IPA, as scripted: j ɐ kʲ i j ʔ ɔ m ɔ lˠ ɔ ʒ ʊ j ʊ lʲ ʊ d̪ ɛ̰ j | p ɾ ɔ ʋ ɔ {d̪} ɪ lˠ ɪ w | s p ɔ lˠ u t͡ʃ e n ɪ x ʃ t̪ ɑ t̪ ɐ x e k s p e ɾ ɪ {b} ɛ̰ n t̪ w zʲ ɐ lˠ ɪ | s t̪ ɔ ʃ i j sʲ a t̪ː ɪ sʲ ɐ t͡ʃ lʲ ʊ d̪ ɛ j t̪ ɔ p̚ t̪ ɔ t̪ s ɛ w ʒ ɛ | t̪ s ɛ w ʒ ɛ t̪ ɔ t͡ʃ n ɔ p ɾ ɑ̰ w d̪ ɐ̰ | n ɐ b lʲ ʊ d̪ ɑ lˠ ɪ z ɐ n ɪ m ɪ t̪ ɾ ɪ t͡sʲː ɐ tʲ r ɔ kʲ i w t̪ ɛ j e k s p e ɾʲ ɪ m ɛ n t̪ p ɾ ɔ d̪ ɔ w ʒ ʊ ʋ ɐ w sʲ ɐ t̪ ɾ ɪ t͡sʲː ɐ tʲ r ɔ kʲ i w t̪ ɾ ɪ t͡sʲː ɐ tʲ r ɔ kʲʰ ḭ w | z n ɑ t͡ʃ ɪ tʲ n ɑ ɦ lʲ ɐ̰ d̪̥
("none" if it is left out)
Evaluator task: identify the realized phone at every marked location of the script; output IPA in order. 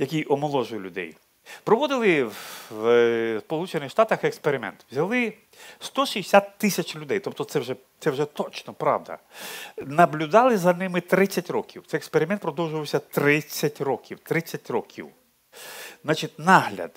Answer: d̪, m

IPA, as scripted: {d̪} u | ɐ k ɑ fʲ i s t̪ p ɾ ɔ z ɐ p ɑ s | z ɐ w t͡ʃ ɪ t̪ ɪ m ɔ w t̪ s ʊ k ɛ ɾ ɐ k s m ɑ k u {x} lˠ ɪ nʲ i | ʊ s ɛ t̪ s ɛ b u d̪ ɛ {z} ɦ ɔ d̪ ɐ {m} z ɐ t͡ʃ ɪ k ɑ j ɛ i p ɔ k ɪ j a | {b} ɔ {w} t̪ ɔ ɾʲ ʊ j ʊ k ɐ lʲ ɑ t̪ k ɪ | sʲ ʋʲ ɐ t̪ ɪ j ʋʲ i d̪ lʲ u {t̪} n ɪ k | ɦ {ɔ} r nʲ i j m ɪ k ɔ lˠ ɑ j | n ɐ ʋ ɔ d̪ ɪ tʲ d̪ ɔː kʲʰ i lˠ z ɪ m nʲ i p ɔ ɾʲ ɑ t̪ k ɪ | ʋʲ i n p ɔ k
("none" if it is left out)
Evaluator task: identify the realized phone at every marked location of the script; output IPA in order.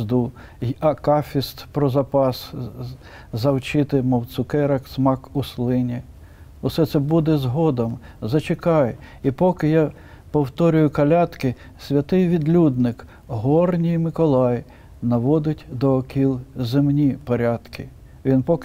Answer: d̪, s, z, m, p, w, d̪, ɔ

